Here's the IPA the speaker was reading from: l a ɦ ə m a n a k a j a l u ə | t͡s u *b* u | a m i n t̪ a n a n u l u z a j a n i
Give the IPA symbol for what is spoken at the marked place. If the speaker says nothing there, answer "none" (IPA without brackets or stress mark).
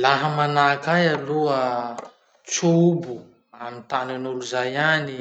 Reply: b